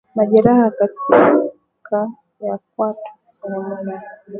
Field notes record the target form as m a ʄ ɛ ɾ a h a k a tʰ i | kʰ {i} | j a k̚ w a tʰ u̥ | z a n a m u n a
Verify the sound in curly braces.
incorrect: a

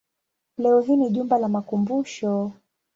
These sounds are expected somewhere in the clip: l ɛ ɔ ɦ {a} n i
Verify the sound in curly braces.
incorrect: i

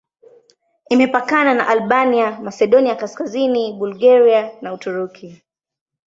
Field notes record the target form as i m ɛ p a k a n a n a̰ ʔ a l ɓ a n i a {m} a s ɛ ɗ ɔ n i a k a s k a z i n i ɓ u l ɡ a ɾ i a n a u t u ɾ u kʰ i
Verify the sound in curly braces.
correct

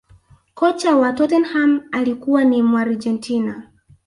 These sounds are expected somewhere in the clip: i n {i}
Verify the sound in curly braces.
incorrect: a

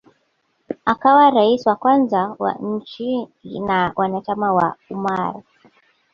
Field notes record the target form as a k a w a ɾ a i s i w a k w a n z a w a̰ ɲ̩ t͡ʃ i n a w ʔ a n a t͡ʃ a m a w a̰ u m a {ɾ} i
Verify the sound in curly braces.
correct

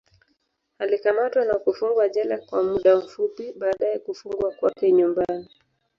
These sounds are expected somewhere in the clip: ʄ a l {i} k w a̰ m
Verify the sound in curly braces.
incorrect: a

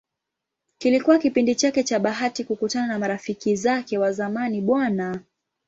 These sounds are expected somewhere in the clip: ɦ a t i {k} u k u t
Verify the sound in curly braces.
correct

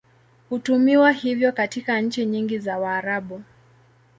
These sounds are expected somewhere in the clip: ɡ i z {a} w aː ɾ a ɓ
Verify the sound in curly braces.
correct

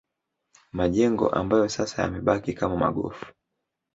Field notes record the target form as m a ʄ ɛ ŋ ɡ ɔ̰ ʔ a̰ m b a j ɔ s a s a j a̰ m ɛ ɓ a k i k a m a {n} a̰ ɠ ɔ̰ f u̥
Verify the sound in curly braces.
incorrect: m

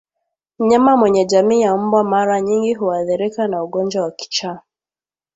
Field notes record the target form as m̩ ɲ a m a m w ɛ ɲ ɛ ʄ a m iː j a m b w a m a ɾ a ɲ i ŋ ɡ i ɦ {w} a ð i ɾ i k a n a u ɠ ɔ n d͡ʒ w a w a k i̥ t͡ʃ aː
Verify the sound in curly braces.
incorrect: u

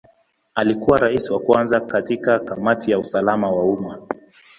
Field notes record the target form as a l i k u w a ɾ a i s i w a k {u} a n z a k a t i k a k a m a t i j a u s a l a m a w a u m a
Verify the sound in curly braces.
incorrect: w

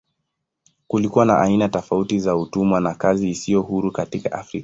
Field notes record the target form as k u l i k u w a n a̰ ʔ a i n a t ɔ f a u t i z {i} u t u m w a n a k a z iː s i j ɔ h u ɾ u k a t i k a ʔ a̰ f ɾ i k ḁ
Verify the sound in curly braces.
incorrect: a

